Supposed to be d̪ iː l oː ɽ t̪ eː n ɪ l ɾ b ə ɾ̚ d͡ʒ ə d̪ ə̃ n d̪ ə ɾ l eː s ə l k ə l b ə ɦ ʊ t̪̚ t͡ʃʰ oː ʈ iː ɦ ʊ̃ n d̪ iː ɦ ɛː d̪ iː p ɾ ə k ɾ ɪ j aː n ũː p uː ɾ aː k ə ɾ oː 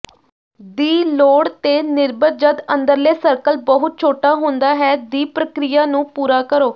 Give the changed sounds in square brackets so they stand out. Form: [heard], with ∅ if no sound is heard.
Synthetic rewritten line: d̪ iː l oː ɽ t̪ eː n ɪ [∅] ɾ b ə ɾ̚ d͡ʒ ə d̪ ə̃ n d̪ ə ɾ l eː s ə [ɾ] k ə l b ə ɦ ʊ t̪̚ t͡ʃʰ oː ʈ [aː] ɦ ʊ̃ n d̪ [aː] ɦ ɛː d̪ iː p ɾ ə k ɾ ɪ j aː n ũː p uː ɾ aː k ə ɾ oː